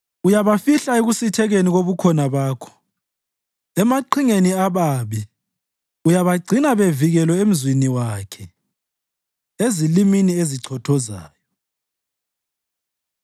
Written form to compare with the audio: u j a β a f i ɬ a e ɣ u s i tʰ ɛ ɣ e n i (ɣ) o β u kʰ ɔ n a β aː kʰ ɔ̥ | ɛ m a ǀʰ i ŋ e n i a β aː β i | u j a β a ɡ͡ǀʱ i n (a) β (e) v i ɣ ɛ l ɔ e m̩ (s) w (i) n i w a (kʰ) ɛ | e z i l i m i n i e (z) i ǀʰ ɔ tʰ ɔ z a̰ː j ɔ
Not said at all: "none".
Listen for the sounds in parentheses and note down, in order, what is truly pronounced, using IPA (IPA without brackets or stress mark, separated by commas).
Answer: ɣ, a, e, z, i, kʰ, z